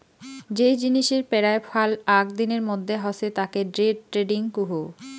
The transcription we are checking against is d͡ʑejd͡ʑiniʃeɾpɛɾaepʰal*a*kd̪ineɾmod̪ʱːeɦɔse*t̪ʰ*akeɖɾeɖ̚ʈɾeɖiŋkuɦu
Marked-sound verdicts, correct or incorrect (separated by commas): correct, incorrect